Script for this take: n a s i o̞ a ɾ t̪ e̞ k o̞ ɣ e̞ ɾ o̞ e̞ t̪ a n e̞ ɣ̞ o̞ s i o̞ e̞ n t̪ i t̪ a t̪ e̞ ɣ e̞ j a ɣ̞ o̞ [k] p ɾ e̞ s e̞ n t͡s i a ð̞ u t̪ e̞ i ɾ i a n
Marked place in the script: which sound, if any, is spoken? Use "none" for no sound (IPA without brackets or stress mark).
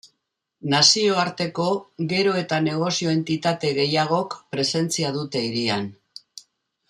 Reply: k